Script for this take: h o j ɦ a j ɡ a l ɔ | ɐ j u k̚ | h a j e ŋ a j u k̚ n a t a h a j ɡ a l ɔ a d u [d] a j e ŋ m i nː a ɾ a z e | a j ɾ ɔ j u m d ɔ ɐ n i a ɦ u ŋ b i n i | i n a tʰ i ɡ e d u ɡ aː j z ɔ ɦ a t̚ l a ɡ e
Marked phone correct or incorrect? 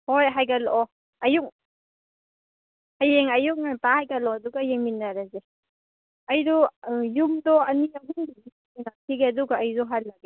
incorrect: ɡ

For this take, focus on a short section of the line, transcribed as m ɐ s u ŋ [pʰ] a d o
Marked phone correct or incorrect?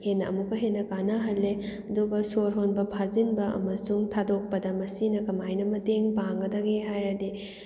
incorrect: tʰ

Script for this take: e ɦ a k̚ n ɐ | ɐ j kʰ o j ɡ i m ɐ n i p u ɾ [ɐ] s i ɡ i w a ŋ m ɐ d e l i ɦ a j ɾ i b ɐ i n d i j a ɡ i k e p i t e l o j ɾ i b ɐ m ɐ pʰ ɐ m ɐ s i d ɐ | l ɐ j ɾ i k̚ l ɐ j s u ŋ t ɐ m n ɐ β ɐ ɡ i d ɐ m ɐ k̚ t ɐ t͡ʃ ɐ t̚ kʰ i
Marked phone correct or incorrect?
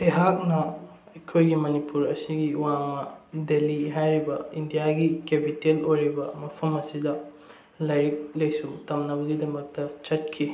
correct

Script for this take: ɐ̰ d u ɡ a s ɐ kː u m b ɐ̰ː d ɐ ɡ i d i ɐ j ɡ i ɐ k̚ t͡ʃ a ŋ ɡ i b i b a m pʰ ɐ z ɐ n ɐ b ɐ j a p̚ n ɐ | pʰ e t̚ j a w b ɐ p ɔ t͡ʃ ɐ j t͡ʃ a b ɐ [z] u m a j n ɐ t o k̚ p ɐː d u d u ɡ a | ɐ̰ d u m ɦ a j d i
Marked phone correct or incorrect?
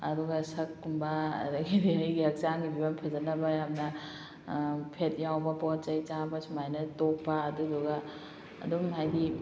incorrect: s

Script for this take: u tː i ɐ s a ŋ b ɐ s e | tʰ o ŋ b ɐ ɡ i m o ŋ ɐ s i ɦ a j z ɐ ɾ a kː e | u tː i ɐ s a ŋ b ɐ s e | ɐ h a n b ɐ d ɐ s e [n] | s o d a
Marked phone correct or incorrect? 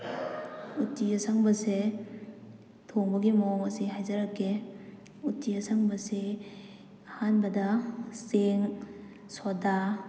incorrect: ŋ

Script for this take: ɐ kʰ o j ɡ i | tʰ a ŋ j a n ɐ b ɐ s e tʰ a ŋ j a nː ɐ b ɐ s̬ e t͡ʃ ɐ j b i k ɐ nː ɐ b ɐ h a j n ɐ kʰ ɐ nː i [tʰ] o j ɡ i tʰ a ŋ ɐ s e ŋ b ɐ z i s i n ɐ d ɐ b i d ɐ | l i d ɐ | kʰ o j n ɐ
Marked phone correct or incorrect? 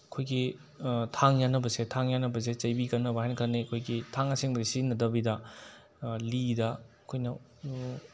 incorrect: kʰ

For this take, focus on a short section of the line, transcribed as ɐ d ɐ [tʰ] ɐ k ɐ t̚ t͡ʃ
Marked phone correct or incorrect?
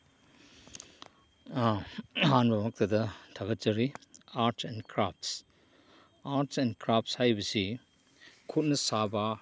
correct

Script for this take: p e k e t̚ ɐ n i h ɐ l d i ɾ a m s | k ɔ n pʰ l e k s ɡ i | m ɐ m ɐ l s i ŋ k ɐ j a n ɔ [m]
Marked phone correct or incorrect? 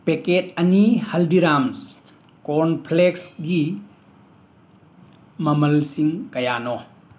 incorrect: none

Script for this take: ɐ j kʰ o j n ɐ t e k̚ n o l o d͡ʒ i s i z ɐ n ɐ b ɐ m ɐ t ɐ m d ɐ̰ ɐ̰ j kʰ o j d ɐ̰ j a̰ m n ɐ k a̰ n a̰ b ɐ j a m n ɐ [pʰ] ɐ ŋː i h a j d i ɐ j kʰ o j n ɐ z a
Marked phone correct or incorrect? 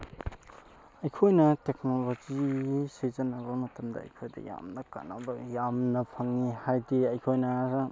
correct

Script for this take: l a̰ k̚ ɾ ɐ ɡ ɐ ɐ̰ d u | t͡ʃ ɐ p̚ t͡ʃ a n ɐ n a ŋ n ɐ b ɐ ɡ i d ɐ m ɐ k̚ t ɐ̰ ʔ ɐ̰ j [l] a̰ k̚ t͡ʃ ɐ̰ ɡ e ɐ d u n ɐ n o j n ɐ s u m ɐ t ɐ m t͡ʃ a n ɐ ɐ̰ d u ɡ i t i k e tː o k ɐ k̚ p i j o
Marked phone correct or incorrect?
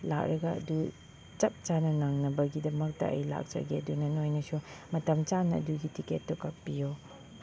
correct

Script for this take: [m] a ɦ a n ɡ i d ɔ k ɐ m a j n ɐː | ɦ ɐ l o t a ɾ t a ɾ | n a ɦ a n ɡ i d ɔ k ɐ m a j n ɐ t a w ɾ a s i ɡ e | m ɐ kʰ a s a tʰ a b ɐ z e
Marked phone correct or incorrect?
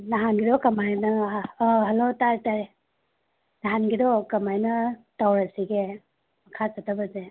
incorrect: n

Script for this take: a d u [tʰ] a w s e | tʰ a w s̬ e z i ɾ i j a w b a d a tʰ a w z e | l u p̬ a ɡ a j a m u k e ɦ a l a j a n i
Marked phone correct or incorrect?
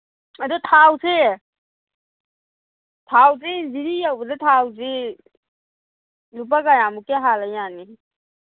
correct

